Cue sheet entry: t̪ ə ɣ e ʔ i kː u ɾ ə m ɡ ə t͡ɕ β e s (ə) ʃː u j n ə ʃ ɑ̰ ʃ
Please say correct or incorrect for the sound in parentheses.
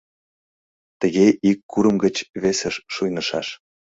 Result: correct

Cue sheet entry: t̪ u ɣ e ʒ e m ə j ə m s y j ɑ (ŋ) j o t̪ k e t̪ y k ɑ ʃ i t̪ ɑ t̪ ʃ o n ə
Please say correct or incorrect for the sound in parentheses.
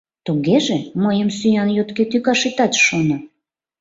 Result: incorrect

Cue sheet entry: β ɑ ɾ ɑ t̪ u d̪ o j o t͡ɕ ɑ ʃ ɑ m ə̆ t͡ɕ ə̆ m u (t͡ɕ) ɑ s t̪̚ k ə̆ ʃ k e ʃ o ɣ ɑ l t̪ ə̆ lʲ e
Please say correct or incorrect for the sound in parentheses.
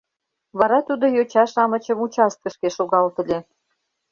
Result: correct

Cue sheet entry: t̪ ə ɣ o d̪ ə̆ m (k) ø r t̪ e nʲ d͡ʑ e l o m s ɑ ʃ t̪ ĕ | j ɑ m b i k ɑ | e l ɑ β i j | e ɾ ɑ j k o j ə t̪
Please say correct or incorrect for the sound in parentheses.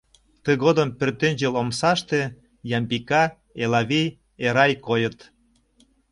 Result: incorrect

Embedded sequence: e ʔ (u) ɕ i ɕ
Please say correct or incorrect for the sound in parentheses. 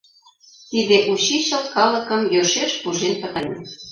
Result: correct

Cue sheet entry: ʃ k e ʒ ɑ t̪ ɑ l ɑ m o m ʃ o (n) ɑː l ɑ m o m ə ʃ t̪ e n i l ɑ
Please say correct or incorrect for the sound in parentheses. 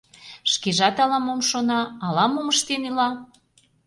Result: correct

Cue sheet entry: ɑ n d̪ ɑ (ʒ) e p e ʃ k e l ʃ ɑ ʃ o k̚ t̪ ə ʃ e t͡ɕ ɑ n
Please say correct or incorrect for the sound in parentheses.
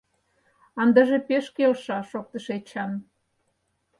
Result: correct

